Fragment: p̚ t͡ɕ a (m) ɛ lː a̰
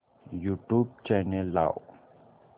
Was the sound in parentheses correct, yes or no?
no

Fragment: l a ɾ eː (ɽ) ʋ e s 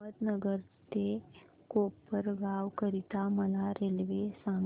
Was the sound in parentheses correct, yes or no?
no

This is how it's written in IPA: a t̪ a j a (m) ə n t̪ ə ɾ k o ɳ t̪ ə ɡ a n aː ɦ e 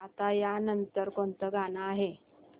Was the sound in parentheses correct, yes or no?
no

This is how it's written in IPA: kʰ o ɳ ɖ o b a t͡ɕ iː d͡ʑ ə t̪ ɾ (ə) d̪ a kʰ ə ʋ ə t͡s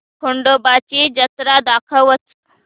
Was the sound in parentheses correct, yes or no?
no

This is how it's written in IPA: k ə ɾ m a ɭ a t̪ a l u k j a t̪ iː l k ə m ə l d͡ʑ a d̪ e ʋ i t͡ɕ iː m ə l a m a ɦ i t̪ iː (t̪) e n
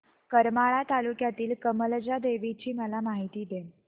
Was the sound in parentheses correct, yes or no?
no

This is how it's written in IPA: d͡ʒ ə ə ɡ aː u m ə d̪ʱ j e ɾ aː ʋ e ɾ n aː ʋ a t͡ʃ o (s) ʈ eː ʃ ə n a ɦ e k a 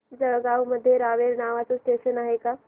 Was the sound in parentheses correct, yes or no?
yes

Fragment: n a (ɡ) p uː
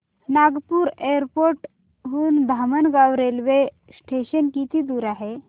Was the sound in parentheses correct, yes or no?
yes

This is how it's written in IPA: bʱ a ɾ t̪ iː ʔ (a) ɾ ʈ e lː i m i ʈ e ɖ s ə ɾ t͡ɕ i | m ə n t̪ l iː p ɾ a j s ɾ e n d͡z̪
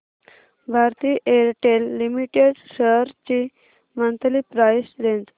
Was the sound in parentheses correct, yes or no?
no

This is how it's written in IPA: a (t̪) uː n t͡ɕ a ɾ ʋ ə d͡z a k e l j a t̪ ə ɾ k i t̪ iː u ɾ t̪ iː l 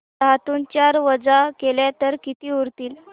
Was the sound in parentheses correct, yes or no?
yes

